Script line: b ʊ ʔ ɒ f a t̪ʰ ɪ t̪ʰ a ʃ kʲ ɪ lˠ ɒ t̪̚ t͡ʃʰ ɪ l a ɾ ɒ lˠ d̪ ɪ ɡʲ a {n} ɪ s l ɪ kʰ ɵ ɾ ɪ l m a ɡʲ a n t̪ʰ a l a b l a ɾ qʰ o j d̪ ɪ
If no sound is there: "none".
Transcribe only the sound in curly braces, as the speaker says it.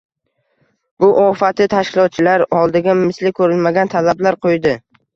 m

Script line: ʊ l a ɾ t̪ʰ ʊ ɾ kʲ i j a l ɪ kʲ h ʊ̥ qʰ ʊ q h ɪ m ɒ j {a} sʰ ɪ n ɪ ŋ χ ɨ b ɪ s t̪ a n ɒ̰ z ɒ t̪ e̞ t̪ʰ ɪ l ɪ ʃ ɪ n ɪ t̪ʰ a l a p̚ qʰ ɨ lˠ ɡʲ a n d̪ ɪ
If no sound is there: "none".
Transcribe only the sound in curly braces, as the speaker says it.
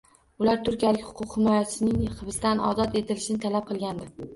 a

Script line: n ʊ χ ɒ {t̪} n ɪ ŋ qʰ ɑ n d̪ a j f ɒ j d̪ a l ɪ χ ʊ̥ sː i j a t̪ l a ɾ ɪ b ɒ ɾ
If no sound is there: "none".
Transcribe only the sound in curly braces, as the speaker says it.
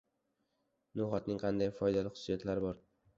t̪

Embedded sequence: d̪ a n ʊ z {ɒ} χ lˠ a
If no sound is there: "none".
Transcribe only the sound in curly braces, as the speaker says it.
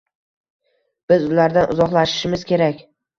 ɒ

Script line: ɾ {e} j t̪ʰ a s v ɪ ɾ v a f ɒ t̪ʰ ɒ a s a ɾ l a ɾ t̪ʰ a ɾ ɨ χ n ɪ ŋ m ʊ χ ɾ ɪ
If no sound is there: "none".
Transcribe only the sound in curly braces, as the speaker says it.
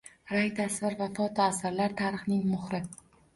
a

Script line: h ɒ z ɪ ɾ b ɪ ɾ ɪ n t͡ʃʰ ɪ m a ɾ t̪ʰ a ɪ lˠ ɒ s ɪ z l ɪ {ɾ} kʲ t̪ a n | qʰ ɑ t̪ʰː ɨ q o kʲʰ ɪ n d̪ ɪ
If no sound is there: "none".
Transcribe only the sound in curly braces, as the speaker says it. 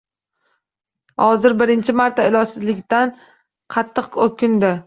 none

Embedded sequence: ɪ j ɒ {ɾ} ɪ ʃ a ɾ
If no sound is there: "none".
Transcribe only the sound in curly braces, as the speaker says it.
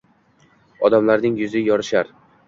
ɾ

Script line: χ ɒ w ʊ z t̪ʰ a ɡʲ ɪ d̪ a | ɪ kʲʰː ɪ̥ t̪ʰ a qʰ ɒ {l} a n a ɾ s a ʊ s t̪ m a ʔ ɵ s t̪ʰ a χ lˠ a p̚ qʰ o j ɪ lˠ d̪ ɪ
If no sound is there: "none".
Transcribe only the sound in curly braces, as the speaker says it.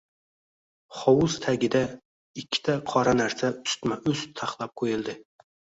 ɾ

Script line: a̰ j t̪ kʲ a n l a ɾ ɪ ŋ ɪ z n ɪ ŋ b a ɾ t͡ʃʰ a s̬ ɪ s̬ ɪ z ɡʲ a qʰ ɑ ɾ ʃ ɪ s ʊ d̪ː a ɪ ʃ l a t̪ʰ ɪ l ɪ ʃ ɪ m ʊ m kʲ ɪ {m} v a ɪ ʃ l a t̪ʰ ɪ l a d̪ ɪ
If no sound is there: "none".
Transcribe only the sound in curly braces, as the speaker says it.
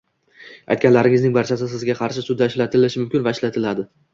n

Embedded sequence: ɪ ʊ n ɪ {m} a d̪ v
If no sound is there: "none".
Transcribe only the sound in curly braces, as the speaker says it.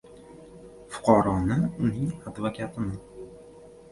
ŋ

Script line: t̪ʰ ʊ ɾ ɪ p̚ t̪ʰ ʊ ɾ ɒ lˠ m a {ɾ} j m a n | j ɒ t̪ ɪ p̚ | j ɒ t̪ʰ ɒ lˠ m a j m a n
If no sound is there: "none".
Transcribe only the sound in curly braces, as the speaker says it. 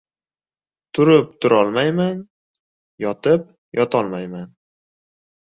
none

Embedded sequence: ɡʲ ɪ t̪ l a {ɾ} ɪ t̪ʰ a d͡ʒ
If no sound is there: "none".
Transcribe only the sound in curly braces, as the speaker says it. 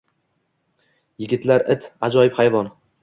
ɾ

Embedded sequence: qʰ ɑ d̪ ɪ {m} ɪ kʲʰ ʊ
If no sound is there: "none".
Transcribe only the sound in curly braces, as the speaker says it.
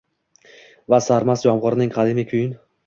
m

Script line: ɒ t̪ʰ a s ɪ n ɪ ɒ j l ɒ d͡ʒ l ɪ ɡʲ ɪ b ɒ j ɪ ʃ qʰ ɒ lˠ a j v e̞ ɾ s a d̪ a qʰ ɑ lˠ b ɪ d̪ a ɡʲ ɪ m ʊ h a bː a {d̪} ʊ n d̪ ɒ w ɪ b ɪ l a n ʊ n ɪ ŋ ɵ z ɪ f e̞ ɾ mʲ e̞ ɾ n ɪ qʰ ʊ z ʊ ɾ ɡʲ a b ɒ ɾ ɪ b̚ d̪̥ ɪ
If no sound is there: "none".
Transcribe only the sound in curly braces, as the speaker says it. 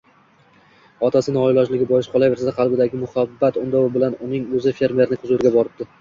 t̪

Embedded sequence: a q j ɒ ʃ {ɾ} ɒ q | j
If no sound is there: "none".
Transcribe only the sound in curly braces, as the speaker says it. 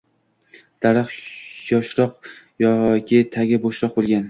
ɾ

